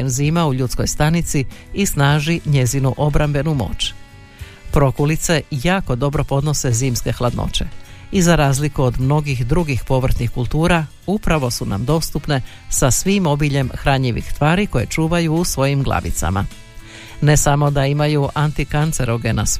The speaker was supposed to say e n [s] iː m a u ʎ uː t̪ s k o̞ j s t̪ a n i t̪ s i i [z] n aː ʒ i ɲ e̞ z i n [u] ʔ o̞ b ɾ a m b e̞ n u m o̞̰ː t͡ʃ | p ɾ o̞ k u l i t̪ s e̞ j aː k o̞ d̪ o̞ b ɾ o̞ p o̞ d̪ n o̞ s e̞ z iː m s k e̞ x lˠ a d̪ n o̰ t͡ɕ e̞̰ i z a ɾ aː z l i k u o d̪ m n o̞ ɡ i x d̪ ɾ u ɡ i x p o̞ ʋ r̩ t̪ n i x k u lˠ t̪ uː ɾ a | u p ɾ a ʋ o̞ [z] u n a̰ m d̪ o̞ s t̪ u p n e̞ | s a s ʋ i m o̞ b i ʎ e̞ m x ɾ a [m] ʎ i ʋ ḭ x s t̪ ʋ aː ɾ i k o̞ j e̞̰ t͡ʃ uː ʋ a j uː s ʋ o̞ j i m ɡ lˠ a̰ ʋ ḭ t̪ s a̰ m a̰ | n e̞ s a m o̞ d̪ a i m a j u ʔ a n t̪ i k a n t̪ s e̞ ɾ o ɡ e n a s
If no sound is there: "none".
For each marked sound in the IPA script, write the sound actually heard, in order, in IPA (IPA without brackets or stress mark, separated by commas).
z, s, u, s, ɲ